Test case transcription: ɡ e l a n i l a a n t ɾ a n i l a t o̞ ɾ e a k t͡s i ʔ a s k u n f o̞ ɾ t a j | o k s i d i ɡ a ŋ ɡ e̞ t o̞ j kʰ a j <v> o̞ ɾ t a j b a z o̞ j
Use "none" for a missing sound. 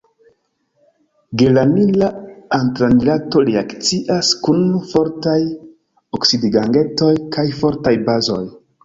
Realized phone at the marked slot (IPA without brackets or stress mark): f